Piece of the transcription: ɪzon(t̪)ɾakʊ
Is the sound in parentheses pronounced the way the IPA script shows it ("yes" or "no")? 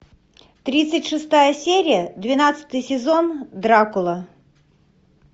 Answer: no